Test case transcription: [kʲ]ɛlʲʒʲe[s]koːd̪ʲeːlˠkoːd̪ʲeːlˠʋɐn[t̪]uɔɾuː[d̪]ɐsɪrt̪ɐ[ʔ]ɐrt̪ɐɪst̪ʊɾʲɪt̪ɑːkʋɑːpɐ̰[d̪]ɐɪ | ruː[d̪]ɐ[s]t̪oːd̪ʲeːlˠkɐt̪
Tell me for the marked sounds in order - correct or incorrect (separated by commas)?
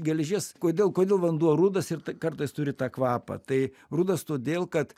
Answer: incorrect, correct, incorrect, correct, incorrect, incorrect, correct, correct